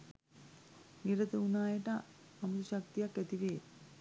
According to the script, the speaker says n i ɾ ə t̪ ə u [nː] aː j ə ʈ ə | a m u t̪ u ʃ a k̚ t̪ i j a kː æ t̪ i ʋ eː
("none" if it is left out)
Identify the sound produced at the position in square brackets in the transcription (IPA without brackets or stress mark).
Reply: n